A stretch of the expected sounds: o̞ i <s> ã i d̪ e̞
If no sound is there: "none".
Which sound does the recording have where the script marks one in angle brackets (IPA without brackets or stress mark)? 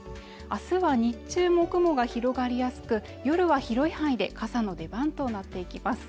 h